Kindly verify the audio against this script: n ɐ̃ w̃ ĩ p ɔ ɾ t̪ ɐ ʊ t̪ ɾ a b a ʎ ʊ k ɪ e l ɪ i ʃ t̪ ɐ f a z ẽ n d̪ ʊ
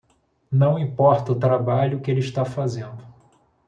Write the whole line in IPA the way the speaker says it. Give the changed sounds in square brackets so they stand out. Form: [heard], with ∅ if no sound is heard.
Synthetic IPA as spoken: n ɐ̃ w̃ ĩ p ɔ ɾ t̪ ɐ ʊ t̪ ɾ a b a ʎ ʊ k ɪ e l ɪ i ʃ t̪ [a] f a z ẽ n d̪ ʊ